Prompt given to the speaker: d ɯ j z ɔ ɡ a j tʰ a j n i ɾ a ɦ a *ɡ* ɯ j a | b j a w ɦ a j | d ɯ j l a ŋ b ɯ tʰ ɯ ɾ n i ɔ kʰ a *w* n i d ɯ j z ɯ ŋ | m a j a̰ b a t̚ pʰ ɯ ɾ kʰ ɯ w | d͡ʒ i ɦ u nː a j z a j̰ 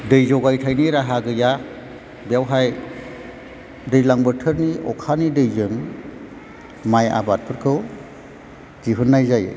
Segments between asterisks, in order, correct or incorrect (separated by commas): correct, incorrect